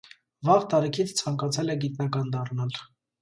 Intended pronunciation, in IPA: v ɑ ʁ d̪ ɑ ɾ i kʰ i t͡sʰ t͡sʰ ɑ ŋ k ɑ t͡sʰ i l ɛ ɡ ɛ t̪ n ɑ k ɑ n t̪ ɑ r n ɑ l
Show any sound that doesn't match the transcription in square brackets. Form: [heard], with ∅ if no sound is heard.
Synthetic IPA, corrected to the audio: v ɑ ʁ [t̪] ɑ ɾ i kʰ i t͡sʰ t͡sʰ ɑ ŋ k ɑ t͡sʰ [ɛ] l ɛ ɡ [i] t̪ n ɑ k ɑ n [d̪] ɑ r n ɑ l